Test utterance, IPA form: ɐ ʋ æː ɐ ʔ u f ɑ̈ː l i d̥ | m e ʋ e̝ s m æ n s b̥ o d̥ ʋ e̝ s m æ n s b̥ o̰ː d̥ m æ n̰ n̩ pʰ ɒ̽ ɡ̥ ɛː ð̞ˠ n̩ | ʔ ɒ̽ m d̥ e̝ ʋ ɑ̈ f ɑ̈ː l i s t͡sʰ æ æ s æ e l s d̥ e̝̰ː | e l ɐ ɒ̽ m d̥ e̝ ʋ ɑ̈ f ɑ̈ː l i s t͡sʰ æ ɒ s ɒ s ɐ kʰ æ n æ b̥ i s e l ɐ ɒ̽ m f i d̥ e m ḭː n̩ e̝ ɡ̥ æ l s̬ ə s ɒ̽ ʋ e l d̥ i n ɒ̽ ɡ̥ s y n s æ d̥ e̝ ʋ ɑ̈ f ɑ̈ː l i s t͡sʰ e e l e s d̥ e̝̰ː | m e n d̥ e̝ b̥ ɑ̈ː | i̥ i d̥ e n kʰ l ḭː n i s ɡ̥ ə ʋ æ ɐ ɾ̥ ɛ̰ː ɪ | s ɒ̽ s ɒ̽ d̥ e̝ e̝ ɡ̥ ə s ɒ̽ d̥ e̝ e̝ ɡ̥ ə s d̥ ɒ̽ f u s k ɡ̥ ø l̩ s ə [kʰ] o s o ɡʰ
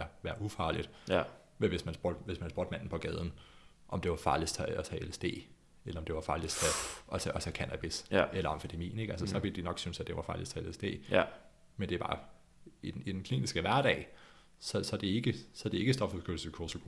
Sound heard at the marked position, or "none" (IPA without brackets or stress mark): kʰ